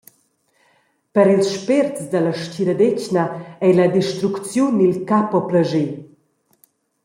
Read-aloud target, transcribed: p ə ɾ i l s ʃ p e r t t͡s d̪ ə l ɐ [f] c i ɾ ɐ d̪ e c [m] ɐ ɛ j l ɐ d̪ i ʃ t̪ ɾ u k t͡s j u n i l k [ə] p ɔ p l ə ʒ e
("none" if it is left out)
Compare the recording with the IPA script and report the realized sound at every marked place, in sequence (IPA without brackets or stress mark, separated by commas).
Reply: ʃ, n, a